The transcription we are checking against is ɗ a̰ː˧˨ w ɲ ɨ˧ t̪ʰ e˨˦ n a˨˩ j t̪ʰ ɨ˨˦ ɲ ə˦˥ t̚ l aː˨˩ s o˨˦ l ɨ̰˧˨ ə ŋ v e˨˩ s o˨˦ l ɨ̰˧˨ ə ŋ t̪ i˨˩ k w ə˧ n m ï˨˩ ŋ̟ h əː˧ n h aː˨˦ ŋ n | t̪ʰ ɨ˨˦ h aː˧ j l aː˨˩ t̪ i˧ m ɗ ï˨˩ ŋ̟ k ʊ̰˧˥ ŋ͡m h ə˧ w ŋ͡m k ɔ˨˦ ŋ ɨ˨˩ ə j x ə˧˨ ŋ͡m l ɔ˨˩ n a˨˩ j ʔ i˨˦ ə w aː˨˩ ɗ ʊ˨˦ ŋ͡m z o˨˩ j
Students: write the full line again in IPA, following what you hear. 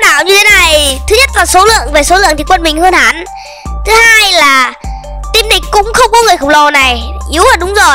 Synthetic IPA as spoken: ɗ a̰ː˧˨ w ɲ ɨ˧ t̪ʰ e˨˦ n a˨˩ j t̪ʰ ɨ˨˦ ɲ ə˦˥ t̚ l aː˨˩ s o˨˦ l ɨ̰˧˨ ə ŋ v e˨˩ s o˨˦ l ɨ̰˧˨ ə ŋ t̪ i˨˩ k w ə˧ n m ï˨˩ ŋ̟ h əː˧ n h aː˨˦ n | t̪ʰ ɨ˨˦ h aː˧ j l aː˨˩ t̪ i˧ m ɗ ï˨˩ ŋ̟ k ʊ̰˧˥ ŋ͡m x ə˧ w ŋ͡m k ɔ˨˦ ŋ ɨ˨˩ ə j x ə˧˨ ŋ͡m l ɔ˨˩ n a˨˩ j ʔ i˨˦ ə w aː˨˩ ɗ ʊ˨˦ ŋ͡m z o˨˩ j